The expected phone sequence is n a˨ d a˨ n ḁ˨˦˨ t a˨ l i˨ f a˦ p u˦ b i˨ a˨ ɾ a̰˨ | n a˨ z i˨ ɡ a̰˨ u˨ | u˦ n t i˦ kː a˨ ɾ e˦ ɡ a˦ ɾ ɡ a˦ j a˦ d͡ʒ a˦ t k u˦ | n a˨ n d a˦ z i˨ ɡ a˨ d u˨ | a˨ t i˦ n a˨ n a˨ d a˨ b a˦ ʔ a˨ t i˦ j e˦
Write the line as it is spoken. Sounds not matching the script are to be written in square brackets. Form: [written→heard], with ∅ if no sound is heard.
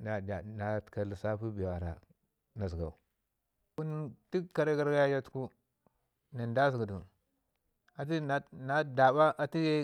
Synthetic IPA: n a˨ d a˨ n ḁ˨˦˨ [t→k] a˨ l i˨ [f→s] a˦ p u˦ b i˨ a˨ ɾ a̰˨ | n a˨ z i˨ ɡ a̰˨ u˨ | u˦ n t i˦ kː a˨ ɾ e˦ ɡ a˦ ɾ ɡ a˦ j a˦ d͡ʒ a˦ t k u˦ | n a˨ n d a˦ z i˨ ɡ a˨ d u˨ | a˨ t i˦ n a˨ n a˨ d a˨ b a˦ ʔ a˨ t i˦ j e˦